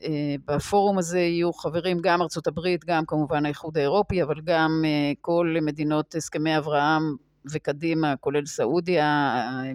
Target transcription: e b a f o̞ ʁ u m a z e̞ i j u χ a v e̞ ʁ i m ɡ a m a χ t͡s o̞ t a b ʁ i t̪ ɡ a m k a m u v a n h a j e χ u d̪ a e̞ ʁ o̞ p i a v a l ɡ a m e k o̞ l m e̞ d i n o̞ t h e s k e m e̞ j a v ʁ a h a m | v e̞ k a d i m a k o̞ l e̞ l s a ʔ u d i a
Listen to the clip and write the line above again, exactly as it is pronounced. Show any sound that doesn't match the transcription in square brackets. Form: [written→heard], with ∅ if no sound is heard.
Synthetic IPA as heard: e b a f o̞ ʁ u m a z e̞ i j u χ a v e̞ ʁ i m ɡ a m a [χ→ʁ] t͡s o̞ t a b ʁ i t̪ ɡ a m k a m u v a n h a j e χ u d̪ a e̞ ʁ o̞ p i a v a l ɡ a m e k o̞ l m e̞ d i n o̞ t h e s k e m e̞ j a v ʁ a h a m | v e̞ k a d i m a k o̞ l e̞ l s a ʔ u d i a